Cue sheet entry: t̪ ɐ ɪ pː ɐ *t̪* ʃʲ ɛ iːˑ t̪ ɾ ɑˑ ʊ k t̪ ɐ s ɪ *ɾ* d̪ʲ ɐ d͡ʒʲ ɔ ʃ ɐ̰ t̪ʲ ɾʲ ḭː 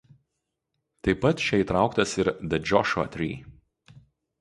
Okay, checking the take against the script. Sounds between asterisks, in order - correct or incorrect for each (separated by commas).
correct, correct